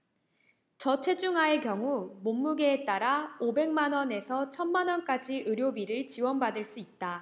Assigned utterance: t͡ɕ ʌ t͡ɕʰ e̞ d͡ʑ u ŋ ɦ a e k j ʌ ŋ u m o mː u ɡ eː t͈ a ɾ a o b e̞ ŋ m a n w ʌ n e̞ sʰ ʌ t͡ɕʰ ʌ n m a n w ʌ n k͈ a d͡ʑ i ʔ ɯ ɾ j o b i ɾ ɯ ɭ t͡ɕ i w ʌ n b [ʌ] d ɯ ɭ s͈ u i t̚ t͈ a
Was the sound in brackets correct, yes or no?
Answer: no